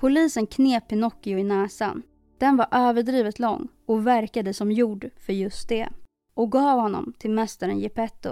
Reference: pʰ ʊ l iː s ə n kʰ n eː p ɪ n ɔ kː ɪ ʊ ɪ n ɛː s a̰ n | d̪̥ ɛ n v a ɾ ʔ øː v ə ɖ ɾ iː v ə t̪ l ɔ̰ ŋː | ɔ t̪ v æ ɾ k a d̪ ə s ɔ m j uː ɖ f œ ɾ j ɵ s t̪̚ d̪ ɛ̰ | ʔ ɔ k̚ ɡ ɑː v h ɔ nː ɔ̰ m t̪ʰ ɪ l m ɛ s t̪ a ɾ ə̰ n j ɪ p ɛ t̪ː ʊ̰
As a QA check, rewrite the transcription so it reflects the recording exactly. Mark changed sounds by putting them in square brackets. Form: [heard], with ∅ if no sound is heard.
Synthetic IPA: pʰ ʊ l iː s ə n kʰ n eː p ɪ n ɔ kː ɪ ʊ ɪ n ɛː s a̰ n | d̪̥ ɛ n v a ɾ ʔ øː v ə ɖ ɾ iː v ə t̪ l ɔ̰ ŋː | ɔ [∅] v æ ɾ k a d̪ ə s ɔ m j uː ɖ f œ ɾ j ɵ s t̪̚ d̪ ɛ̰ | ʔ ɔ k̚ ɡ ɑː v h ɔ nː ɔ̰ m t̪ʰ ɪ l m ɛ s t̪ a ɾ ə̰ n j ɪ p ɛ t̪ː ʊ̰